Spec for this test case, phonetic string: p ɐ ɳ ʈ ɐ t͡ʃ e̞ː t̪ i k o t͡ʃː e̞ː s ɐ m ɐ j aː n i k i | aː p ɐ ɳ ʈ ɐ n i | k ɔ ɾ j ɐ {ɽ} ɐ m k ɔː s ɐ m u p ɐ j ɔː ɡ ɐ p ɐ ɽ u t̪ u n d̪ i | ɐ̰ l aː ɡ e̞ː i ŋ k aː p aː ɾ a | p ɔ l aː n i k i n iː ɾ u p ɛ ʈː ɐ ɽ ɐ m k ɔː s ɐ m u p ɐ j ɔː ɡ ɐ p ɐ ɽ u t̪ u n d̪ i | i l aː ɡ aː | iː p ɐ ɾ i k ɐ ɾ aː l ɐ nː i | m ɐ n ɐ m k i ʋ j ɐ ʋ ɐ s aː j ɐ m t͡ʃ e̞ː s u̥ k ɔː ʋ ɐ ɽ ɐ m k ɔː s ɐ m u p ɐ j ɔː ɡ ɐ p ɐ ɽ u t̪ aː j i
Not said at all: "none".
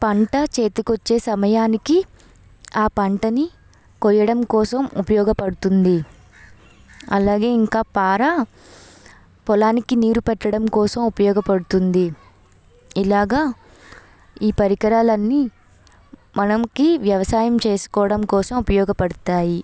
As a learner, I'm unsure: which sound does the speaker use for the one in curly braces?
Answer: ɽ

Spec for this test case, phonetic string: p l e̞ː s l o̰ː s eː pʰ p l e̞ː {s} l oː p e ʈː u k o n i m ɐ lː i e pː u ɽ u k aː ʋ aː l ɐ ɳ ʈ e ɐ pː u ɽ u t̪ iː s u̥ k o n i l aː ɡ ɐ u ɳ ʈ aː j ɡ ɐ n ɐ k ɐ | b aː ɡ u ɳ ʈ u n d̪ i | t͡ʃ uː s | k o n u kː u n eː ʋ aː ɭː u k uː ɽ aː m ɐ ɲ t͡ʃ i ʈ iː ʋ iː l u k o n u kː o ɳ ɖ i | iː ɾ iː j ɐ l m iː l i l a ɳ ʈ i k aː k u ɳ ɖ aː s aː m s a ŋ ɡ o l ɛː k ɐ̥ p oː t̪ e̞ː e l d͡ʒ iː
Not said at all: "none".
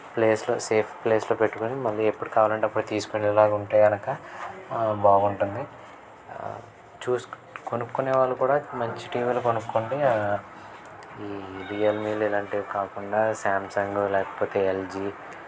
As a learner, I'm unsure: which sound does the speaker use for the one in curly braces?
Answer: s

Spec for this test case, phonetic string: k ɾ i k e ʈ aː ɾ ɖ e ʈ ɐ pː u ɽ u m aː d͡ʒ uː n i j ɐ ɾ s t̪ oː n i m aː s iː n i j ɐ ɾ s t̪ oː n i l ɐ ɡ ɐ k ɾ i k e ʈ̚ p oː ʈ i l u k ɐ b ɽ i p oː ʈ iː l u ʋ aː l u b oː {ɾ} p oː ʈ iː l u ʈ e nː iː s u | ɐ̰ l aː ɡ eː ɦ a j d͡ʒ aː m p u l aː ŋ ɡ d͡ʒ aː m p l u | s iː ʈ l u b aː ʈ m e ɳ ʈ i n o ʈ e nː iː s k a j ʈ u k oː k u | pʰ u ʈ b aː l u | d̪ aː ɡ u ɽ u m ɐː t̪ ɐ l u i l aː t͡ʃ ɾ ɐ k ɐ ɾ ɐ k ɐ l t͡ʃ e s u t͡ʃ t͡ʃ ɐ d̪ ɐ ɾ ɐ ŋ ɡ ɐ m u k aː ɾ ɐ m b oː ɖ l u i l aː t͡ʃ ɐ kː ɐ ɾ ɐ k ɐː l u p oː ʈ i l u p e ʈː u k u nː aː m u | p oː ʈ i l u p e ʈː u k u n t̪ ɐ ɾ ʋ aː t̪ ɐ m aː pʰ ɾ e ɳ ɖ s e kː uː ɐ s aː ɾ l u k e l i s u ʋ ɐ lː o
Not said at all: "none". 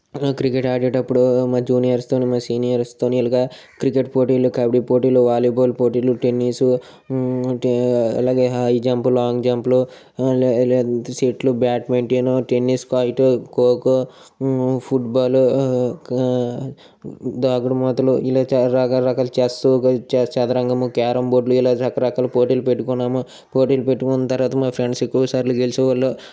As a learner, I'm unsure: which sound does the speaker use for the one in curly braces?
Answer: l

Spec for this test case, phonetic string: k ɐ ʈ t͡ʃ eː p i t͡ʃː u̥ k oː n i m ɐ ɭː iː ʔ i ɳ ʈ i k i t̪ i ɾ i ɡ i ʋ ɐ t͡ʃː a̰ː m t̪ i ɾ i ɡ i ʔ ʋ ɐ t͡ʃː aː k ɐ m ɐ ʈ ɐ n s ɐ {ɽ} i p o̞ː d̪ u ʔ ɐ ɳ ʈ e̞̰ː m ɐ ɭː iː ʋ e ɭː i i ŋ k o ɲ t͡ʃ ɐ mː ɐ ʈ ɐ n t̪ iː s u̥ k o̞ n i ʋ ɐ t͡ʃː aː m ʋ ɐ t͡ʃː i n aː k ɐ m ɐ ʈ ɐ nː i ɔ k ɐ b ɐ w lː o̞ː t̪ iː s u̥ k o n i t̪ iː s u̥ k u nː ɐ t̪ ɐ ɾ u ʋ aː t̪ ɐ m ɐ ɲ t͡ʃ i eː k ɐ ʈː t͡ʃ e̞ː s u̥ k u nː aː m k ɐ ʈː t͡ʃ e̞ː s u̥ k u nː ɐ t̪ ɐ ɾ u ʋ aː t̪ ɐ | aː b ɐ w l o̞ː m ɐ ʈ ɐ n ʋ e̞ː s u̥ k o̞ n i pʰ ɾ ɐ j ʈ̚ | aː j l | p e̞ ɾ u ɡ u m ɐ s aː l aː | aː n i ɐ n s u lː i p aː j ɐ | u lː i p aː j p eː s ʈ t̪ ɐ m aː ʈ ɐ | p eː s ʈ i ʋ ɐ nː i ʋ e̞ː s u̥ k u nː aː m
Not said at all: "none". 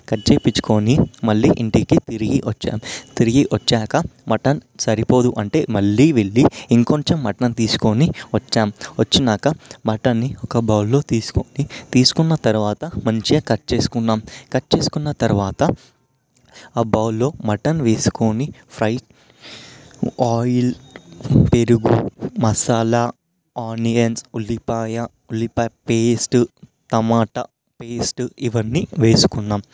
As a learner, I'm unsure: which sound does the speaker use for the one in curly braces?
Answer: ɾ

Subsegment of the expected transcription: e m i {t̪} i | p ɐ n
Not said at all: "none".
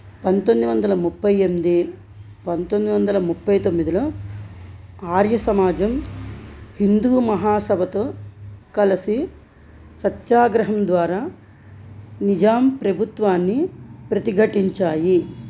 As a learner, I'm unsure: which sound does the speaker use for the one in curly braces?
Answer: d̪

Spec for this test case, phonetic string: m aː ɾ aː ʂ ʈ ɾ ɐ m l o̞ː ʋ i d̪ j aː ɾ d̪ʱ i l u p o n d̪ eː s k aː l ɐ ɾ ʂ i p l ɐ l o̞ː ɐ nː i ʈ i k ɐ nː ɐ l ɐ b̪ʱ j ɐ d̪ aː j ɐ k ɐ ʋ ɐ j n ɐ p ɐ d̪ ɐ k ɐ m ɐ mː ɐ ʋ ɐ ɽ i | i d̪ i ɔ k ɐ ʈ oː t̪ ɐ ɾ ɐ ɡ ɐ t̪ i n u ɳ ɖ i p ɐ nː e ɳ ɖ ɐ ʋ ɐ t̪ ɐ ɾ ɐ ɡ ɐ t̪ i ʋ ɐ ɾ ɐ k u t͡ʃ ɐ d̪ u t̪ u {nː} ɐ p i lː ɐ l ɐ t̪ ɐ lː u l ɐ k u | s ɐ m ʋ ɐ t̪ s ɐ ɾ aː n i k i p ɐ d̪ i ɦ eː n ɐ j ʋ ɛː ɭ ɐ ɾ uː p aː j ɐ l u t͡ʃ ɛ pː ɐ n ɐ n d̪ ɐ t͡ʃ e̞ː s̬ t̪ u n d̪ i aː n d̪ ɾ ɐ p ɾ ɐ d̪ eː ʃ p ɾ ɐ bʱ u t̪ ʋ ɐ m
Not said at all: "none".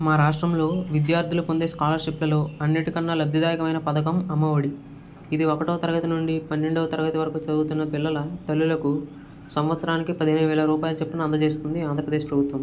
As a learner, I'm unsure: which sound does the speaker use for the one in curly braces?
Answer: nː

